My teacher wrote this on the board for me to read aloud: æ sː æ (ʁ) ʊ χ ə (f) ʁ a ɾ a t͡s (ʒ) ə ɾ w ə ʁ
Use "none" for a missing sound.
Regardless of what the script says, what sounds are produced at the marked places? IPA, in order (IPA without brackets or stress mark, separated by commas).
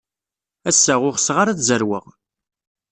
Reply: ʁ, s, z